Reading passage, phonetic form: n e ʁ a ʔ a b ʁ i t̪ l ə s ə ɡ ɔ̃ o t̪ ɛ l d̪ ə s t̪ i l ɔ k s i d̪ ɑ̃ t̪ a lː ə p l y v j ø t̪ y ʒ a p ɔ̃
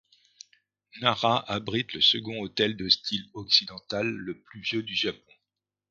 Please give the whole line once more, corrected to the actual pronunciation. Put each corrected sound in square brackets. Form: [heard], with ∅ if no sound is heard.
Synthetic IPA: n [a] ʁ a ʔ a b ʁ i t̪ l ə s ə ɡ ɔ̃ o t̪ ɛ l d̪ ə s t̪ i l ɔ k s i d̪ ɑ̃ t̪ a lː ə p l y v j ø [d̪] y ʒ a p ɔ̃